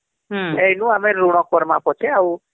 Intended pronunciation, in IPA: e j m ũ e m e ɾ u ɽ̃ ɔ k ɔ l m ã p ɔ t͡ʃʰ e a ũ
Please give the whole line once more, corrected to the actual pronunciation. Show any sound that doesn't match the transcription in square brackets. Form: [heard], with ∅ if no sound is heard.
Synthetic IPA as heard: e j [n] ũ [a] m e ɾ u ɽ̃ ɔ k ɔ [ɾ] m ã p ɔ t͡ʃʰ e a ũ